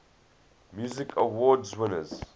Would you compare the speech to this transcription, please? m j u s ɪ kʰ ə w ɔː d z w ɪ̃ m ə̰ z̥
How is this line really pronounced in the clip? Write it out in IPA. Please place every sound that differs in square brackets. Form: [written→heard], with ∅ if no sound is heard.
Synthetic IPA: m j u [s→z] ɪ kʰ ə w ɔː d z w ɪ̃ [m→n] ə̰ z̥